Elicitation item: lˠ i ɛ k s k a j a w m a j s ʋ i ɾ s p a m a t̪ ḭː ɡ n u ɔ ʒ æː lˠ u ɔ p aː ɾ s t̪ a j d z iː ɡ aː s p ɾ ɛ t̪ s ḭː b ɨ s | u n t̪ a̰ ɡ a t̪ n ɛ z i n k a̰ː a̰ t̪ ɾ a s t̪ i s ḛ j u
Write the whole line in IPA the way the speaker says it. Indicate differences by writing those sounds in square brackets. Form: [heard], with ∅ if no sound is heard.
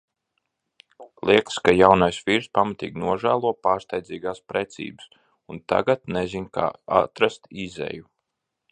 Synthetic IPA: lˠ i ɛ k s k a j a w [n] a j s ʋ i ɾ s p a m a t̪ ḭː ɡ n u ɔ ʒ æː lˠ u ɔ p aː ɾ s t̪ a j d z iː ɡ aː s p ɾ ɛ t̪ s ḭː b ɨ s | u n t̪ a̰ ɡ a t̪ n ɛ z i n k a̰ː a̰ t̪ ɾ a s t̪ i [z] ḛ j u